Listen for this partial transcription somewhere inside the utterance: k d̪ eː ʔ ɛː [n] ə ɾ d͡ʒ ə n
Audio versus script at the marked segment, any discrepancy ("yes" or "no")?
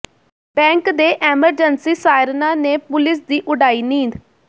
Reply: yes